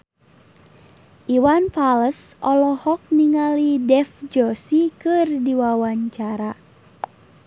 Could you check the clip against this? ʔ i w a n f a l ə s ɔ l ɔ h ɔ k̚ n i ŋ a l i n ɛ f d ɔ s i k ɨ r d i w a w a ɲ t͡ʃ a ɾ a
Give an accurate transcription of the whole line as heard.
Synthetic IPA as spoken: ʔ i w a n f a l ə s ɔ l ɔ h ɔ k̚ n i ŋ a l i d ɛ f d͡ʒ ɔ s i k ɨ r d i w a w a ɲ t͡ʃ a ɾ a